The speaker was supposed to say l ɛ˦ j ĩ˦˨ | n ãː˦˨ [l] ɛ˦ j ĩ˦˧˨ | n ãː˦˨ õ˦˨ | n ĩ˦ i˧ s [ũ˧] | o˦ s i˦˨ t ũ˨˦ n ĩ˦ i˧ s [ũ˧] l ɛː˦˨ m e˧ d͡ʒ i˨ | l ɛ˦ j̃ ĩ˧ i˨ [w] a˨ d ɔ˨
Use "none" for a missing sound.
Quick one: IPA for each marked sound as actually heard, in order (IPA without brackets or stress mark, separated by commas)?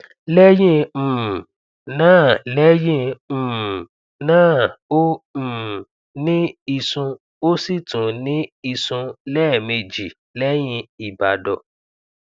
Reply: l, ũ˧, ũ˧, b